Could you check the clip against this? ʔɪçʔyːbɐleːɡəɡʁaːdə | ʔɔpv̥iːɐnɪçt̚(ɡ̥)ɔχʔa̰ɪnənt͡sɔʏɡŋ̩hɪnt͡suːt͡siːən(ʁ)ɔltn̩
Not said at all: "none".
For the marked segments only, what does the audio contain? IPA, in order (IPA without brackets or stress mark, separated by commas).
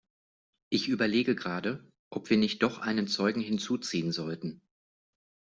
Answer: d̥, z